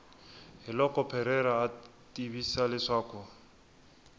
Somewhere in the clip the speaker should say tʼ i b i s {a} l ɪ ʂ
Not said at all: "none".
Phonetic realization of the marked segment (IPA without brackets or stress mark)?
a